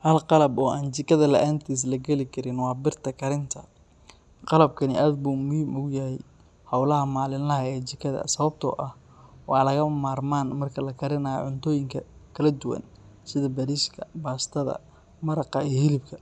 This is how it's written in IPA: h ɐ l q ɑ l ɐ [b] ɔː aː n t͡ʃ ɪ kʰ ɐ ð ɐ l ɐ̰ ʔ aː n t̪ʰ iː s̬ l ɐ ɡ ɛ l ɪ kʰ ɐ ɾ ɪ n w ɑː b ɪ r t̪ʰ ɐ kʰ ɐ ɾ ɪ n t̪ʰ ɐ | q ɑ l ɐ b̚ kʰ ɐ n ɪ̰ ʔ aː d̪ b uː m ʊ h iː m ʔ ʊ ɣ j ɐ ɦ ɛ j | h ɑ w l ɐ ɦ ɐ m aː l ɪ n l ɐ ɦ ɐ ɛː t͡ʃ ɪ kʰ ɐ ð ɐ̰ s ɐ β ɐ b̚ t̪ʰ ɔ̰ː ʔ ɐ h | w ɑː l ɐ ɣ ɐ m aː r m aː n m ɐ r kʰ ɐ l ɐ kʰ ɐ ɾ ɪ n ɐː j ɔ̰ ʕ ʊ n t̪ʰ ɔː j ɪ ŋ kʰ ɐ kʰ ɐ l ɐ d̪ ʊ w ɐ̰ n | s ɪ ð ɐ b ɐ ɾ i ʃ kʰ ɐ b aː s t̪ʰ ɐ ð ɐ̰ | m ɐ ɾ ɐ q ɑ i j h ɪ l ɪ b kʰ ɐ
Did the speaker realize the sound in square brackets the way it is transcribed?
yes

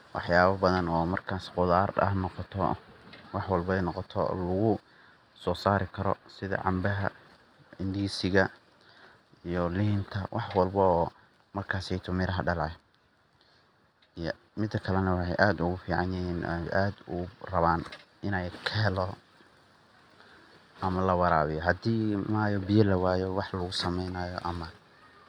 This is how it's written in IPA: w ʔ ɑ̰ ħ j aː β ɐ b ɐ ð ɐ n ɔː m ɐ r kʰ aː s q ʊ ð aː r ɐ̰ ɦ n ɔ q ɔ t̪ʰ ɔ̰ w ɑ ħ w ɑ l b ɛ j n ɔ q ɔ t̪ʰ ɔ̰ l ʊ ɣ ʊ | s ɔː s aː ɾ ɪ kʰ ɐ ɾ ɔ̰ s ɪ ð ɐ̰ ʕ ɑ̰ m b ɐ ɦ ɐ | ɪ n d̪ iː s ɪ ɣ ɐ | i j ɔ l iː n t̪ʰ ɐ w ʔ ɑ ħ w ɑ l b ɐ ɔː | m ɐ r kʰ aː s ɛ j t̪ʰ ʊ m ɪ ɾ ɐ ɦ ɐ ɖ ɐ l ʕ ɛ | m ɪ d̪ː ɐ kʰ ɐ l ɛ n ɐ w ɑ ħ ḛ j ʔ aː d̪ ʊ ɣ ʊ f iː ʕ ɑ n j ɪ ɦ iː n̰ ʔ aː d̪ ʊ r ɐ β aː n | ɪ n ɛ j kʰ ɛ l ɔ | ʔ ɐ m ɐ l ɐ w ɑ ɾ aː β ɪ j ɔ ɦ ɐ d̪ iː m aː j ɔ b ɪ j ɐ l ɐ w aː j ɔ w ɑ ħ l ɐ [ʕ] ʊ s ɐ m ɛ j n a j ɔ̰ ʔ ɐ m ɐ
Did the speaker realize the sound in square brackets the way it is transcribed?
no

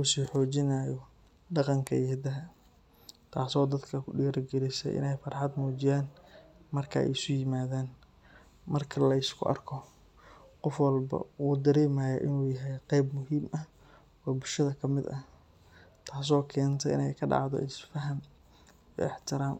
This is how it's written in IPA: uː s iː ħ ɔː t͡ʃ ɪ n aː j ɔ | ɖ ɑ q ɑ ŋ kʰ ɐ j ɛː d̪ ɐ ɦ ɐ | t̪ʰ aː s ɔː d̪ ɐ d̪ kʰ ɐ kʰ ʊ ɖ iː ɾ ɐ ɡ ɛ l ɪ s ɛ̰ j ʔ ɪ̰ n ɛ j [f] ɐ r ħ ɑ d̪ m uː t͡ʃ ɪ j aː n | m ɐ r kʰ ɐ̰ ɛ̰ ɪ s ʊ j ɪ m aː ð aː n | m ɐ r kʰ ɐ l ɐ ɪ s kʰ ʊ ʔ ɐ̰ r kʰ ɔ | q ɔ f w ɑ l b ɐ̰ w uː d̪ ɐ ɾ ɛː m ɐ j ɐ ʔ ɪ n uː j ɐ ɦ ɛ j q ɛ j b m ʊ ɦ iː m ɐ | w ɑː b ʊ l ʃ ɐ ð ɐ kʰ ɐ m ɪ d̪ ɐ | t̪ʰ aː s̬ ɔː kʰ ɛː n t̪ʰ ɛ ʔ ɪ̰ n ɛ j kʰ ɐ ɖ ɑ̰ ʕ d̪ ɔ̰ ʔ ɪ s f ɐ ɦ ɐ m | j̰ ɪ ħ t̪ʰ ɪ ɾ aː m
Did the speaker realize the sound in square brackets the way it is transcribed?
yes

